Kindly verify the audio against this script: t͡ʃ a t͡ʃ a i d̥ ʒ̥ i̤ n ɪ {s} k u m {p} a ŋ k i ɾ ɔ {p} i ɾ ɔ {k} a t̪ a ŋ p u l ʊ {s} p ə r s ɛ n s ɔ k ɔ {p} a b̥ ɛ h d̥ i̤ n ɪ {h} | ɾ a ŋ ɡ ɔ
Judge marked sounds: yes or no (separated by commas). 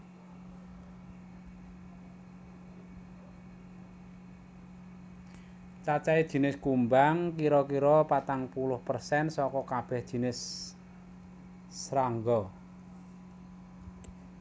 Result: yes, no, no, no, no, no, no